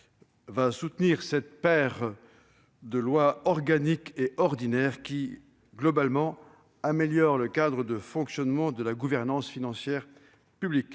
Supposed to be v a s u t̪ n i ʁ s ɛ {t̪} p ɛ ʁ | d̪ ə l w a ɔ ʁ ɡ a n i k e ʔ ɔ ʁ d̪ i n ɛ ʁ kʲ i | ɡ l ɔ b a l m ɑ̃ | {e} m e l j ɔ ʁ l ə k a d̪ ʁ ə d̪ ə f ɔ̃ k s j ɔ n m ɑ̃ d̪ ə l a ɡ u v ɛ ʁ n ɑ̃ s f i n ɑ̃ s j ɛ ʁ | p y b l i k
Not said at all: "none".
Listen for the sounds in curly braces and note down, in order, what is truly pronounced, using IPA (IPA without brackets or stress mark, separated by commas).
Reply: t̪, a